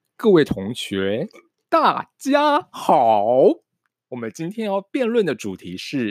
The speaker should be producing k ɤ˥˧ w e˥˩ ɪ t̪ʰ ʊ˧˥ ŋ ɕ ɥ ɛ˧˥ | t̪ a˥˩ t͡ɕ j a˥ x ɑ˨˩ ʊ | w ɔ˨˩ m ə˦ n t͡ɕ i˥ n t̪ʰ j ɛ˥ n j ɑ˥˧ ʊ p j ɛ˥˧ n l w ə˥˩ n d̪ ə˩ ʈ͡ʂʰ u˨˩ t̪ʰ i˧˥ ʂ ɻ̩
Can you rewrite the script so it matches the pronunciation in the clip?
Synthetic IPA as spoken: k ɤ˥˧ w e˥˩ ɪ t̪ʰ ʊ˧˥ ŋ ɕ ɥ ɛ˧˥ | t̪ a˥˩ t͡ɕ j a˥ x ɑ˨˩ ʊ | w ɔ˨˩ m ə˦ n t͡ɕ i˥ n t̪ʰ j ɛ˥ n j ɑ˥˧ ʊ p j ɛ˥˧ n l w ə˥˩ n d̪ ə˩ ʈ͡ʂ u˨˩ t̪ʰ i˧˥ ʂ ɻ̩